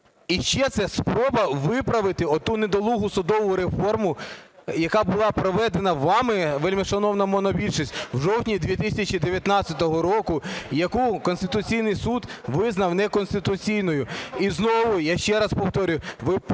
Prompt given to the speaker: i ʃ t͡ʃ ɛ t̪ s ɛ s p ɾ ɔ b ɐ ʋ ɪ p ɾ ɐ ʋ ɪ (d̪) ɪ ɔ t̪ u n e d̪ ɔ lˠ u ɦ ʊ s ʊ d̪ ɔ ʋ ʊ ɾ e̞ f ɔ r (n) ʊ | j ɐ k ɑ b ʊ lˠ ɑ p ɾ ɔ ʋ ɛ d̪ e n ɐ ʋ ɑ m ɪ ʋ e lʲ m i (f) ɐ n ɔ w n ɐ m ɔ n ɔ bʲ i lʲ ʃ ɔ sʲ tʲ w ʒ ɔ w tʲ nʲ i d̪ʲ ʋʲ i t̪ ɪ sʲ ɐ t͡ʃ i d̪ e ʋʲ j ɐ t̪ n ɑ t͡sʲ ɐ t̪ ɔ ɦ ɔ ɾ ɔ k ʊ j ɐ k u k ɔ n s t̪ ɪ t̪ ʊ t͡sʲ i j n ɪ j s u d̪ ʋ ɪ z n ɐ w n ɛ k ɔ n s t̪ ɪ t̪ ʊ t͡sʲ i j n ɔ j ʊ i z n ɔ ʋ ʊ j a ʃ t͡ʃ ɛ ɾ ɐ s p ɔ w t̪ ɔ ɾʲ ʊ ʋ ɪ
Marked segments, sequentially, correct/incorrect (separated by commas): incorrect, incorrect, incorrect